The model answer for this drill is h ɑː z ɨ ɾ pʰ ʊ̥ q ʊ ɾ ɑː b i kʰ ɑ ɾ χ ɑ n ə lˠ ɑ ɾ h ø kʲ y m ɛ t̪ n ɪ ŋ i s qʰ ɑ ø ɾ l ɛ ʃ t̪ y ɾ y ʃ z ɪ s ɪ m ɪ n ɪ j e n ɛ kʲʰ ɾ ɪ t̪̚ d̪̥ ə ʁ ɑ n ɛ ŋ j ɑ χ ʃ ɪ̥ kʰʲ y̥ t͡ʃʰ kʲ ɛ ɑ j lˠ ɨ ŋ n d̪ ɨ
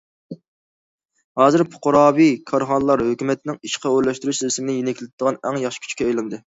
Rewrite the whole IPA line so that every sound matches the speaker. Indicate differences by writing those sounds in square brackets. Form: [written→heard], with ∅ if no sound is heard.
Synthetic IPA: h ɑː z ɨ ɾ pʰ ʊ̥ q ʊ ɾ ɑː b i kʰ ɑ ɾ χ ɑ n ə lˠ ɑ ɾ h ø kʲ y m ɛ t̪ n ɪ ŋ i [s→ʃ] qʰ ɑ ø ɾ l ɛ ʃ t̪ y ɾ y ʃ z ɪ s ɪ m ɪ n ɪ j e n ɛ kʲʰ [ɾ→l] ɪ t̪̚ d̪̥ ə ʁ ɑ n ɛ ŋ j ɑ χ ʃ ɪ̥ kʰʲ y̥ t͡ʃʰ kʲ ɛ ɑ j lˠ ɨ [ŋ→∅] n d̪ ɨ